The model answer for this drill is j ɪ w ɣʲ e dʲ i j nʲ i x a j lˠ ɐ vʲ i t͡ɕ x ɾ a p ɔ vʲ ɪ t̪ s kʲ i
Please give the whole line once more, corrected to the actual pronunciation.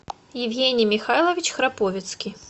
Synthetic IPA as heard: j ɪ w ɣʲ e nʲ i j mʲ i x a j lˠ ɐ vʲ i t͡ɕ x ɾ a p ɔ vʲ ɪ t̪ s kʲ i